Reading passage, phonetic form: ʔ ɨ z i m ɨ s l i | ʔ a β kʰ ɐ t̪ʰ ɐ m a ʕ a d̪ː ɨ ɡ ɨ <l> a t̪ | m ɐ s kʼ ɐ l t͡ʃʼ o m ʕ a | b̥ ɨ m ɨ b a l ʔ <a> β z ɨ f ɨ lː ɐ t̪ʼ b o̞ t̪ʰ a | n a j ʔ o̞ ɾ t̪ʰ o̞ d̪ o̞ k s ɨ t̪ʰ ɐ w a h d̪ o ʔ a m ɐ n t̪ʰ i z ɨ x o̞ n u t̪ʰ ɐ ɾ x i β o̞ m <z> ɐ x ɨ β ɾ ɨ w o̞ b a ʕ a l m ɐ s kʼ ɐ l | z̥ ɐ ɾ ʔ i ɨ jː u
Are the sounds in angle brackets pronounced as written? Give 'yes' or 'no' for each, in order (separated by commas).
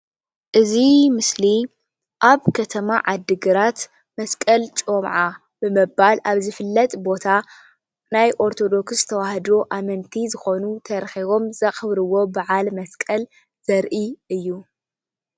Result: no, yes, yes